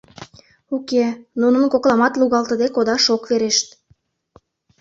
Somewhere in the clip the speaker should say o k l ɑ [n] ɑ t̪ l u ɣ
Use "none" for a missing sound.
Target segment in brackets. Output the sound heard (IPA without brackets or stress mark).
m